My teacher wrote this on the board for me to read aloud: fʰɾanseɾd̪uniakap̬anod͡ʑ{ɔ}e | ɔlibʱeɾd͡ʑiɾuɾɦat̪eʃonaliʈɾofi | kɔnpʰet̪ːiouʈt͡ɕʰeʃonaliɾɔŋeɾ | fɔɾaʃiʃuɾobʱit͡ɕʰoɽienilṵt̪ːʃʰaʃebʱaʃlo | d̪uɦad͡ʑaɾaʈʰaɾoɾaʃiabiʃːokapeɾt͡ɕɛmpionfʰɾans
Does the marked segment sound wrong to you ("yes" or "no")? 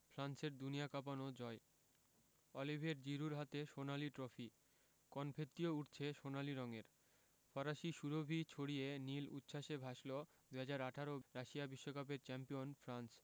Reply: no